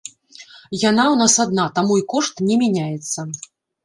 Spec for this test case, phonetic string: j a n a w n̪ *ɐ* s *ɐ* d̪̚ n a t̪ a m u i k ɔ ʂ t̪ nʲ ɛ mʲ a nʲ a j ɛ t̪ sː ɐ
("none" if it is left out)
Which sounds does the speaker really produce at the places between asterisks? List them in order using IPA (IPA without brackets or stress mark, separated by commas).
a, a